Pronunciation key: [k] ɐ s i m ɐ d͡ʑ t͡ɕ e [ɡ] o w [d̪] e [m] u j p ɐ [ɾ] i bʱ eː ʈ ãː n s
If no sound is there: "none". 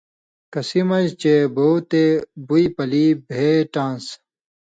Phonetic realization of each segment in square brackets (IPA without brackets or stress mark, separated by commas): k, b, t̪, b, l